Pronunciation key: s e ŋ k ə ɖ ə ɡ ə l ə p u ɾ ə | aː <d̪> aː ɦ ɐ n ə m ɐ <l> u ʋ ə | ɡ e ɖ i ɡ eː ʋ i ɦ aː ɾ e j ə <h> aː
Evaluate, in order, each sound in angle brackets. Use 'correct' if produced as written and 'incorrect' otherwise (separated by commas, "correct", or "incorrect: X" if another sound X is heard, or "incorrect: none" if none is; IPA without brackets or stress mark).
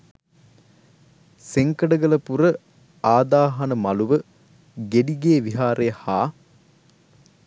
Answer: correct, correct, correct